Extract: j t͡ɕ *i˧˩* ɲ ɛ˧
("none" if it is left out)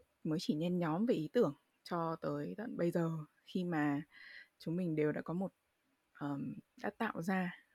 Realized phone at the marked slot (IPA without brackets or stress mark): i˧˩